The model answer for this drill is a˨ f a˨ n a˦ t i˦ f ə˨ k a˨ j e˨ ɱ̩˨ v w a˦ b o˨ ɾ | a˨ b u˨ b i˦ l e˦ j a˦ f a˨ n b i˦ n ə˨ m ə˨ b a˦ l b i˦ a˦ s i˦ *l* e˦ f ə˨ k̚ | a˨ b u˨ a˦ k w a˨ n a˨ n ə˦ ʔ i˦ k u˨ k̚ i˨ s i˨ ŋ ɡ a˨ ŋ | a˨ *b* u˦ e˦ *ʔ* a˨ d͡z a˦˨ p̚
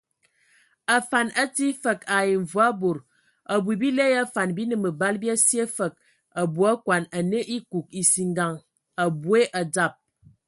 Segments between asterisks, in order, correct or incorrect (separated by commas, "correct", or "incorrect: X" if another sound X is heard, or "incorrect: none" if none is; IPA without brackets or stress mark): incorrect: none, correct, correct